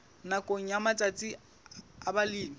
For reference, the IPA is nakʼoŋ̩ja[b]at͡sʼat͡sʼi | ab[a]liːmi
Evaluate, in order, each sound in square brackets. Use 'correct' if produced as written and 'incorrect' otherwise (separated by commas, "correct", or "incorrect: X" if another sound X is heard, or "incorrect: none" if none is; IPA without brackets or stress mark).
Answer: incorrect: m, correct